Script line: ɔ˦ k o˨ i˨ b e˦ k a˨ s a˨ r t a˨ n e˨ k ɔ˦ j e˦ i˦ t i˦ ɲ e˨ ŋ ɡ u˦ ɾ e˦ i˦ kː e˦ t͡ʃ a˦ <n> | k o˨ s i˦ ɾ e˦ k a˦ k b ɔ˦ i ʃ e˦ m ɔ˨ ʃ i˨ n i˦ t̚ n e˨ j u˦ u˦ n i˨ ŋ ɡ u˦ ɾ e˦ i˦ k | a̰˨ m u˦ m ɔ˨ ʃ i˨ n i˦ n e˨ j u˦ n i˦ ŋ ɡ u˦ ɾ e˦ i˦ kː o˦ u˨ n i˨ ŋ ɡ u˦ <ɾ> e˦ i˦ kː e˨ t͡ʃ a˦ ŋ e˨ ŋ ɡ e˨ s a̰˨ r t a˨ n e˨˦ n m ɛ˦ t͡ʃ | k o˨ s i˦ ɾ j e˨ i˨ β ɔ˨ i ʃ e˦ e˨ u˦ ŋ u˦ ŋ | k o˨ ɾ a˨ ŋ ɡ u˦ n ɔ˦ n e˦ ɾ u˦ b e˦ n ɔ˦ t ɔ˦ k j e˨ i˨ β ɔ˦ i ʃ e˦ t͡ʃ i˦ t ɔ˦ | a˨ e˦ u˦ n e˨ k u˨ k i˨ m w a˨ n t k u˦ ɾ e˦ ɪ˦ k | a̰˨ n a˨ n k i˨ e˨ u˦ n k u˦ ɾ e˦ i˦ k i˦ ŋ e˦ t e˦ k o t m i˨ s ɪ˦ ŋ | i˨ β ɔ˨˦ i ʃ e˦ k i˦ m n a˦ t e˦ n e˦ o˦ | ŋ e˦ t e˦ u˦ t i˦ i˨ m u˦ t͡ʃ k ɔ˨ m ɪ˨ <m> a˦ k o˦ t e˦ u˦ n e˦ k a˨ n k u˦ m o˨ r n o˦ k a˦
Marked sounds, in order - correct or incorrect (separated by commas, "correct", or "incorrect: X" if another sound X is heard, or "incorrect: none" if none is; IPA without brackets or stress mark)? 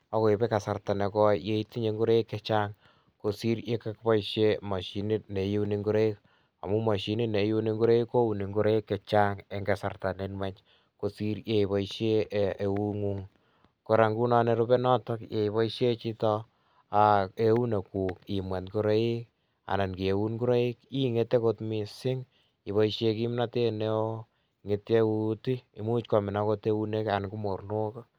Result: incorrect: ŋ, correct, incorrect: n